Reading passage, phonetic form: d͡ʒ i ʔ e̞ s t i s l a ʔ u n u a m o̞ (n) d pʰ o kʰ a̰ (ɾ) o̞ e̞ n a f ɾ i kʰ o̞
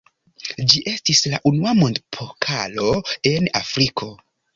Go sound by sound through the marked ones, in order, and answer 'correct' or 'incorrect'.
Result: correct, incorrect: l

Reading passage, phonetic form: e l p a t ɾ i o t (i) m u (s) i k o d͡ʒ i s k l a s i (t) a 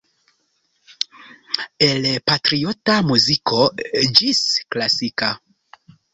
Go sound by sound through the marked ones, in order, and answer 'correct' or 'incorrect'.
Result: incorrect: a, incorrect: z, incorrect: k

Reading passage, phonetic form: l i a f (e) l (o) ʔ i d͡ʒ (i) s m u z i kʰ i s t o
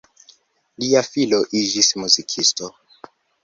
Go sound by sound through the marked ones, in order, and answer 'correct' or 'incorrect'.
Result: incorrect: i, correct, correct

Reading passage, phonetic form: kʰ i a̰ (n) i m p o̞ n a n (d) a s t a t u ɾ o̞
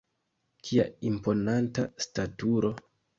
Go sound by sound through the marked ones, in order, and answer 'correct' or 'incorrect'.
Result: incorrect: none, incorrect: t

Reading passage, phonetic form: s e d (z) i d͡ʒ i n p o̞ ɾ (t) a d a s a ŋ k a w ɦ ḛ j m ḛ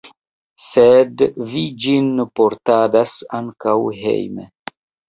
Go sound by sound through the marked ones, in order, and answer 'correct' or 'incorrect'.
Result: incorrect: v, correct

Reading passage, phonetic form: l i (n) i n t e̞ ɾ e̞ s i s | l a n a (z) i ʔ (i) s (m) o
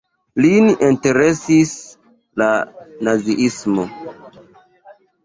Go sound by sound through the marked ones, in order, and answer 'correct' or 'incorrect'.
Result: correct, correct, correct, correct

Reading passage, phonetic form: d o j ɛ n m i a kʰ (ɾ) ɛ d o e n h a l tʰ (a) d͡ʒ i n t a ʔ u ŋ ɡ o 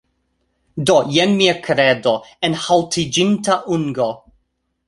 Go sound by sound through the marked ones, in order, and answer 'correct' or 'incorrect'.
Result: correct, incorrect: i

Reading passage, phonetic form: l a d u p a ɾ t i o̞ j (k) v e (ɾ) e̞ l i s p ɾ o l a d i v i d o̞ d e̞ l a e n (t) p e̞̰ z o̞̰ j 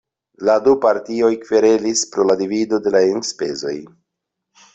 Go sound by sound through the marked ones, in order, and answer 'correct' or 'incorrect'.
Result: correct, correct, incorrect: s

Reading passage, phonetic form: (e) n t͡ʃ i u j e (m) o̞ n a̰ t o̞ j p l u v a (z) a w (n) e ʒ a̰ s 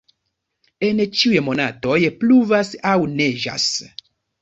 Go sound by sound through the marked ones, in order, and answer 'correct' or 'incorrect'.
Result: correct, correct, incorrect: s, correct

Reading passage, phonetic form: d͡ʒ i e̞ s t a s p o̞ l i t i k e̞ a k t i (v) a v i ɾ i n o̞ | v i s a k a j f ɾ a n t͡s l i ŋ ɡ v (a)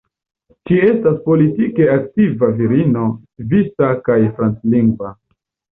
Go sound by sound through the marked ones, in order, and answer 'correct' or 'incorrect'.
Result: correct, correct

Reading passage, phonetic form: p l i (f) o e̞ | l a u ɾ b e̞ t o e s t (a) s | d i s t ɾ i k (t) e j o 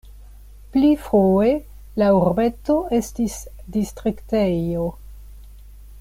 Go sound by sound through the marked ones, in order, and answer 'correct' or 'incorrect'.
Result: correct, incorrect: i, correct

